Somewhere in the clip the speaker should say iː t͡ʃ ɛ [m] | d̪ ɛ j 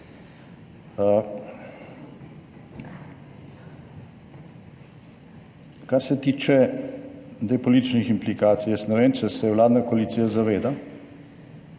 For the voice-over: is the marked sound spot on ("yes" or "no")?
no